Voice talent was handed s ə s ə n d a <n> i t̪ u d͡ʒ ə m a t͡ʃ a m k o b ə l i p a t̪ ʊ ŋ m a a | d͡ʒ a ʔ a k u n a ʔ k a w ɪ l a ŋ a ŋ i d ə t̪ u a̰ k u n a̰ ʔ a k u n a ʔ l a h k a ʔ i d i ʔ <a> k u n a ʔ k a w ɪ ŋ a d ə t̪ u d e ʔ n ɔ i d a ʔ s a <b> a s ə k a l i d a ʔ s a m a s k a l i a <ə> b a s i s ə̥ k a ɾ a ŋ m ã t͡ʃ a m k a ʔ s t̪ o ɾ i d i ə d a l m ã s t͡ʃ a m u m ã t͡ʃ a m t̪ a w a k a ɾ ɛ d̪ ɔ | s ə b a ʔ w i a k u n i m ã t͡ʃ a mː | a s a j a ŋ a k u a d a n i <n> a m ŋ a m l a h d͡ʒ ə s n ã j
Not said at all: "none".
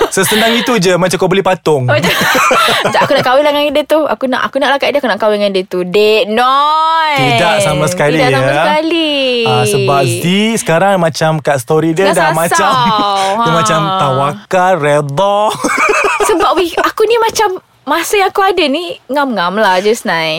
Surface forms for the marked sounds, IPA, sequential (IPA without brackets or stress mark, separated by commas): ŋ, a, m, ə, ŋ